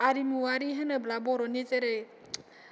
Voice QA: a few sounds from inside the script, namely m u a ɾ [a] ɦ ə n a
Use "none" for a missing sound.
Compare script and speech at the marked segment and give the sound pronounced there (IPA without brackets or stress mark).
i